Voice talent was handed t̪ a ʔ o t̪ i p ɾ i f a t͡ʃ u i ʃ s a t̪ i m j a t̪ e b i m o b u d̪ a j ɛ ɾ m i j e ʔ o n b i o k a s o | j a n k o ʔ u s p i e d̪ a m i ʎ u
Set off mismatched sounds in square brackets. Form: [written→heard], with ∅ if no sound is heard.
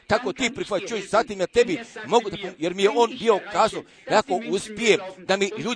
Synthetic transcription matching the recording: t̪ a [ʔ→k] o t̪ i p ɾ i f a t͡ʃ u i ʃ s a t̪ i m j a t̪ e b i m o [b→ɡ] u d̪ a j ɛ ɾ m i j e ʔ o n b i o k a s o | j a [n→∅] k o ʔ u s p i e d̪ a m i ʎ u